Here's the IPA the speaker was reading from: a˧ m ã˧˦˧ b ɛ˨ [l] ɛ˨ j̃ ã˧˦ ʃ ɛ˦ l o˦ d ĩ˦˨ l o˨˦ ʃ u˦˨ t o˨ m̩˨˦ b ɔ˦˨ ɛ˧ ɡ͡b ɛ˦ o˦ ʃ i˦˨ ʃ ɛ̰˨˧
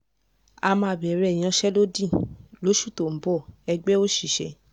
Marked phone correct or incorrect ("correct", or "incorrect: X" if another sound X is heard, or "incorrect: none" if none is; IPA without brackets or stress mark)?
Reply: incorrect: ɾ